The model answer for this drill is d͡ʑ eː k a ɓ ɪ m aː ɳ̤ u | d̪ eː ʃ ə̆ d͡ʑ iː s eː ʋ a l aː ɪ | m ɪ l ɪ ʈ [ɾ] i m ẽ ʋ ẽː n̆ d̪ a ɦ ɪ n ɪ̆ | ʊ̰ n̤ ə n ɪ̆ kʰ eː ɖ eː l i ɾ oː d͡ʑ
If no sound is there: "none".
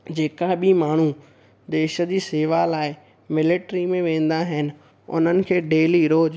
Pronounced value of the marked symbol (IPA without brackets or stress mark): ɾ